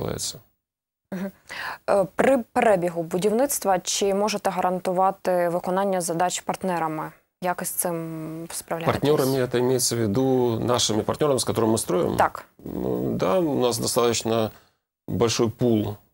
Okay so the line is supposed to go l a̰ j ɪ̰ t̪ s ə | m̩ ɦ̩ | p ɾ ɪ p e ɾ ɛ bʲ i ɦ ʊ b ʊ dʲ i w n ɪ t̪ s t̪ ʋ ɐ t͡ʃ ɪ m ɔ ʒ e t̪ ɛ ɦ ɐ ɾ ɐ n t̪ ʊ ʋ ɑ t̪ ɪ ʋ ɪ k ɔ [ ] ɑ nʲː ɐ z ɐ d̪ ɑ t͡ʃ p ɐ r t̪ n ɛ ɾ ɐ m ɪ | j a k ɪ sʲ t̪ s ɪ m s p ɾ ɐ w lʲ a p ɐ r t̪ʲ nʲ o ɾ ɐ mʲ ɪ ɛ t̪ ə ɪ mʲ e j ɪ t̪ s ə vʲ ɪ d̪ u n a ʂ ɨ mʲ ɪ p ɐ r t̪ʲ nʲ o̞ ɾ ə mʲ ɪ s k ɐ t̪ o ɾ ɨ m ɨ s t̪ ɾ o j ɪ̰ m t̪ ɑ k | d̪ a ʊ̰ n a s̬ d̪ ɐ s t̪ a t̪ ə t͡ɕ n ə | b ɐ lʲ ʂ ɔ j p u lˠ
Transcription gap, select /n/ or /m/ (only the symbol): n